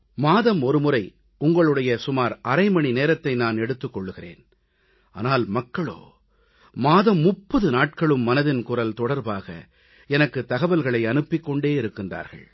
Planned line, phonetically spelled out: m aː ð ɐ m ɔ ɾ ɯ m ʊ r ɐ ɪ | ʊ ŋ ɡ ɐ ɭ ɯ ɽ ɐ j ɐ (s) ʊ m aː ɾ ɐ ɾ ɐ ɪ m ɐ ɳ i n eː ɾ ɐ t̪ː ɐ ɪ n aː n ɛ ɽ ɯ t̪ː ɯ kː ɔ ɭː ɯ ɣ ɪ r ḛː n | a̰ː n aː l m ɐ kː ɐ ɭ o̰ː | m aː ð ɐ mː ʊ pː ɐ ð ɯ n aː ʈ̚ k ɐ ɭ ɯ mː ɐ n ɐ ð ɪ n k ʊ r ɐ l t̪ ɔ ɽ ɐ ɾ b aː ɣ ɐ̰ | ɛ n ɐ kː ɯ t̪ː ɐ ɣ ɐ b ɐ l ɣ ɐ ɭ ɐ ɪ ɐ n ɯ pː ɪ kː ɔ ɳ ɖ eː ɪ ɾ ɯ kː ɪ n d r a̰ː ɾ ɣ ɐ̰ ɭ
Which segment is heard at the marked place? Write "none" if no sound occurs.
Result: s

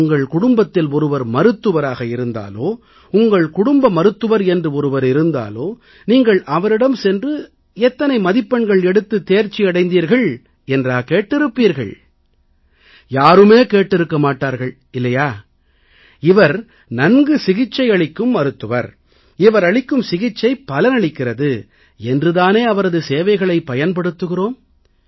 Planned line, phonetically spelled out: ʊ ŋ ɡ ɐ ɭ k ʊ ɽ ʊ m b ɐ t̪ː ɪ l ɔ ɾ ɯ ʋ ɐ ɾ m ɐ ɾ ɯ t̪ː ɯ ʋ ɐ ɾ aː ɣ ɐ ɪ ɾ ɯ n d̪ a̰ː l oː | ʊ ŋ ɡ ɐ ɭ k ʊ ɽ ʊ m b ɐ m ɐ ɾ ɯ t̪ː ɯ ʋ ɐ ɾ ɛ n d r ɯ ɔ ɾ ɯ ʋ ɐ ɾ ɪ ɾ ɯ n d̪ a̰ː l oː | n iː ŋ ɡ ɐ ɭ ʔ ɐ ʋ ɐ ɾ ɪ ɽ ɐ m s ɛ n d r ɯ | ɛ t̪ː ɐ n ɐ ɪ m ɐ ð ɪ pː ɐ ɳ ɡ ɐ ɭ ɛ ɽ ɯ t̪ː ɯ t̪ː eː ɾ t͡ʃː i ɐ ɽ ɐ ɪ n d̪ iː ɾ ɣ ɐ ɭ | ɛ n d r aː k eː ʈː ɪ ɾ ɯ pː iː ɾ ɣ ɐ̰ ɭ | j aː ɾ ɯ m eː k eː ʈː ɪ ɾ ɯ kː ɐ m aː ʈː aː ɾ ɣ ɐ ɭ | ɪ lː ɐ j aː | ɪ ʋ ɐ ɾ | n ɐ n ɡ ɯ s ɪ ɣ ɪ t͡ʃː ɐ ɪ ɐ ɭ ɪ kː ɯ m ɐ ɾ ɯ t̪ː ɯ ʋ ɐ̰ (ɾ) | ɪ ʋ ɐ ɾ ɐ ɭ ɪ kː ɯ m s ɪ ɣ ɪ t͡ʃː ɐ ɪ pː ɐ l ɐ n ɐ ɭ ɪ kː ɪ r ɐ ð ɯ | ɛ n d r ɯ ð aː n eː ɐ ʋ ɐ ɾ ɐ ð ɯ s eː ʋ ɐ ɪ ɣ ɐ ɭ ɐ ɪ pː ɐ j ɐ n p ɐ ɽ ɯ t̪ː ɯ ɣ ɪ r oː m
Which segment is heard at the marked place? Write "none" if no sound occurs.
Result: ɾ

